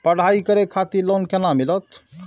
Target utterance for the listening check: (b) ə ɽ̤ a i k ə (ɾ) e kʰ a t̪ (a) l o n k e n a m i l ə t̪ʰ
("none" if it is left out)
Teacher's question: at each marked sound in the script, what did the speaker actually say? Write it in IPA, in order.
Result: p, ɾ, i

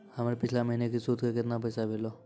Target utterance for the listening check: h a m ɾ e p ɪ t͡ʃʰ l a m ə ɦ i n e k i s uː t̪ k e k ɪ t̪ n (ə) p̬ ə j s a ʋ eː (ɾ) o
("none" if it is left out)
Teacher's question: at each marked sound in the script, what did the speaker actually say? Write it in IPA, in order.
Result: a, l

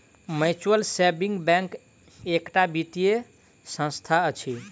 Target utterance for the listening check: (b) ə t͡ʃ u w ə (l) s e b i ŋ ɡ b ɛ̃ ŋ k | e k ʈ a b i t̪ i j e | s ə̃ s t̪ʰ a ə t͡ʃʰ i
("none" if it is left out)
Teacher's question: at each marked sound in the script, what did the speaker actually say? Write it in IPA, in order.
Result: m, l

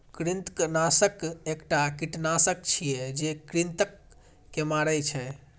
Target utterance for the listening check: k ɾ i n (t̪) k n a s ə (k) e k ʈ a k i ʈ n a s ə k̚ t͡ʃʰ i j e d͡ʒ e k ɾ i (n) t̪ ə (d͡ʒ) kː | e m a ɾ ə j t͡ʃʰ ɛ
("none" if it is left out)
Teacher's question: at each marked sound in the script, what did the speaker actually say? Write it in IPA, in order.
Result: t̪, k, n, none

